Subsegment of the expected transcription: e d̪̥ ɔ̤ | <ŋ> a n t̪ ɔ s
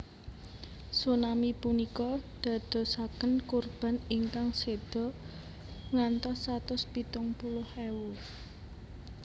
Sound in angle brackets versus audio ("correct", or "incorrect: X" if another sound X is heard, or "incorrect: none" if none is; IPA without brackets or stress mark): correct